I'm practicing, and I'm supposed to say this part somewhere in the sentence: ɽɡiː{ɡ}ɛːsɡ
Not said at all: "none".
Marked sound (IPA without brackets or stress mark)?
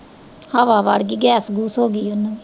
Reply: ɡ